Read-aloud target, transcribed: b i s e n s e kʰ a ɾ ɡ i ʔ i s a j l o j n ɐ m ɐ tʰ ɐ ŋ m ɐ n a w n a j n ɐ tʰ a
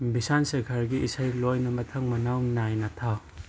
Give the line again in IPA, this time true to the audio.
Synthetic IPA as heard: b i s a n s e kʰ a ɾ ɡ i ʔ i s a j l o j n ɐ m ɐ tʰ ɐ ŋ m ɐ n a w n a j n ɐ tʰ a